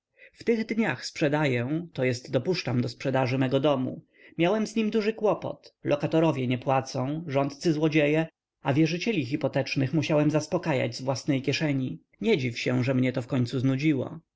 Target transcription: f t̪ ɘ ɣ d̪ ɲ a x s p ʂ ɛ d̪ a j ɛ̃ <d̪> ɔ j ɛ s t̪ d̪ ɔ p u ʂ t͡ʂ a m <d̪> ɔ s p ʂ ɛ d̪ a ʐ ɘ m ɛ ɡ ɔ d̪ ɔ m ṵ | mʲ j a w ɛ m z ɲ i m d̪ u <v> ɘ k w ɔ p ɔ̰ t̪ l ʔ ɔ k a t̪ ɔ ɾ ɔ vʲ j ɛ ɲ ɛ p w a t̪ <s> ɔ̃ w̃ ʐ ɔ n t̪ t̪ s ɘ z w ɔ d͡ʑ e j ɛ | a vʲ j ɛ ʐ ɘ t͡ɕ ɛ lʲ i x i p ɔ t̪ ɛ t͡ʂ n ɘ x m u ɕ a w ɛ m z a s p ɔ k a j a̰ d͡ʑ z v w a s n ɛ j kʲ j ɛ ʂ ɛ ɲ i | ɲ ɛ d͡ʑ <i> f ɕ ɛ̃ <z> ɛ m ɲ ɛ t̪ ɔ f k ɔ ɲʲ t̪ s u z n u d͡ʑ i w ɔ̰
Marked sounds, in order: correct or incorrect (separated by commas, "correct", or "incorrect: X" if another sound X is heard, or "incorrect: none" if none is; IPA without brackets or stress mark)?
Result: incorrect: t̪, correct, incorrect: ʐ, correct, correct, incorrect: ʐ